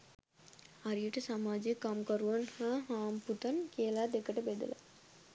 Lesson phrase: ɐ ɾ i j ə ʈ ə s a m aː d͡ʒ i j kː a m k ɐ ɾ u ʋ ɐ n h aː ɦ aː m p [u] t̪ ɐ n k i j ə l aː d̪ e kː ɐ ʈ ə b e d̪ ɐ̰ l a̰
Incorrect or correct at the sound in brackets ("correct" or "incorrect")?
correct